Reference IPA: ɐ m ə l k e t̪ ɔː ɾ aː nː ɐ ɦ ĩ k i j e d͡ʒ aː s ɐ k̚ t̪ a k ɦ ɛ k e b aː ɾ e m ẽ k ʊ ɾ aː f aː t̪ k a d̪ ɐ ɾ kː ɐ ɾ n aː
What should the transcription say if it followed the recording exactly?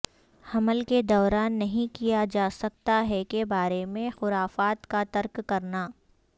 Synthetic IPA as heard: ɐ m ə l k e d̪ ɔː ɾ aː nː ɐ ɦ ĩ k i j a d͡ʒ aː s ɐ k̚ t̪ a ɦ ɛ k e b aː ɾ e m ẽ x ʊ ɾ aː f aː t̪ k a t̪ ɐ ɾ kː ɐ ɾ n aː